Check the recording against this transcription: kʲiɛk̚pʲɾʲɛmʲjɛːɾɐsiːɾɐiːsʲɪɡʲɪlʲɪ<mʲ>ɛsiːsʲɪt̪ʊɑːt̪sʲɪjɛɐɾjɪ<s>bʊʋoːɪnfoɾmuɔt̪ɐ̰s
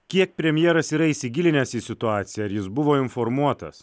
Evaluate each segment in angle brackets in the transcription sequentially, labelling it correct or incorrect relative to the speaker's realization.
incorrect, correct

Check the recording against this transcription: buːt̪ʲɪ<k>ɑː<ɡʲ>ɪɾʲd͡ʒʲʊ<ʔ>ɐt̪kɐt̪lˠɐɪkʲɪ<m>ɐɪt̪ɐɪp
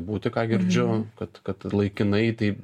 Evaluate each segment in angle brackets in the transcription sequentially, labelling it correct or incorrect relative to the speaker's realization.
correct, correct, incorrect, incorrect

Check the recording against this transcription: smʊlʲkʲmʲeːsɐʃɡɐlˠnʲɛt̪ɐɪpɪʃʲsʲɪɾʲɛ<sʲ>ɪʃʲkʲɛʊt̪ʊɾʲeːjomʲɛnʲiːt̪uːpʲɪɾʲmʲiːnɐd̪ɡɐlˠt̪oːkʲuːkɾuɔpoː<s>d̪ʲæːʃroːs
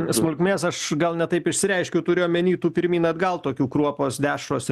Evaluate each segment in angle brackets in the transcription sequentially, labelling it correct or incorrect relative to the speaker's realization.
incorrect, correct

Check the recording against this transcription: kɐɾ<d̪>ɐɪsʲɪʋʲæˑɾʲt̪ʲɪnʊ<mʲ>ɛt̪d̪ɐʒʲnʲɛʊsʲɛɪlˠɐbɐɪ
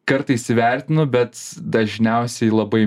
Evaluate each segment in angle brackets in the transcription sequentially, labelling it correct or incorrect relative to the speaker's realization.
incorrect, incorrect

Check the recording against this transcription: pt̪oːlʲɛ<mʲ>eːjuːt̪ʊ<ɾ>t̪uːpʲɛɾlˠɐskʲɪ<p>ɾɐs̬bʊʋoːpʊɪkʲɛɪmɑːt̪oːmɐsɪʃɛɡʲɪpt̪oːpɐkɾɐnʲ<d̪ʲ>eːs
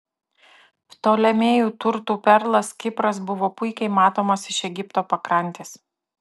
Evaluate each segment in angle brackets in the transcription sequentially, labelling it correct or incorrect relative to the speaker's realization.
correct, correct, correct, incorrect

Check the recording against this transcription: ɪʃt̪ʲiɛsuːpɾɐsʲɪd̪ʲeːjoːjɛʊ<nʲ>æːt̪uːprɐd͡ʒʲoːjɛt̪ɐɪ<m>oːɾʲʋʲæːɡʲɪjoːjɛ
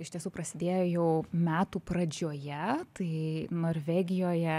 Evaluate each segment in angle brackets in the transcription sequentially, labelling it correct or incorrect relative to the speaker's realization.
incorrect, incorrect

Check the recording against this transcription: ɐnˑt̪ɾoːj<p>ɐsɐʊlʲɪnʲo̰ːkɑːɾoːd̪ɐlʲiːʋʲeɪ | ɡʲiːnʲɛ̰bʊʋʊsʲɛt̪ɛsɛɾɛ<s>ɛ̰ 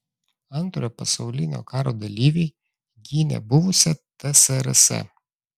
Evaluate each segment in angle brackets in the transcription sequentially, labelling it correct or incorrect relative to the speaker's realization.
correct, correct

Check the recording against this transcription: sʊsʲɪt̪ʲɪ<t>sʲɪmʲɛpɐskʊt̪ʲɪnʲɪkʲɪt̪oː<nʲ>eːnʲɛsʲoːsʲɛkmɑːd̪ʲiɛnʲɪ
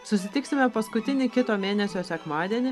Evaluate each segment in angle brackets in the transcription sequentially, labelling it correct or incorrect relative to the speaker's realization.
incorrect, incorrect

